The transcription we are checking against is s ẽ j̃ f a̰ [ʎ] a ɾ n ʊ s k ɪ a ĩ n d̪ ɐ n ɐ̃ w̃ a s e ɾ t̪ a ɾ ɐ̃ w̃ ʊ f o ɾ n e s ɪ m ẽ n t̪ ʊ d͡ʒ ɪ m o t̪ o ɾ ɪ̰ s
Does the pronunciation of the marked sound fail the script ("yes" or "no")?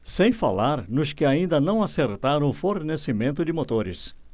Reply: yes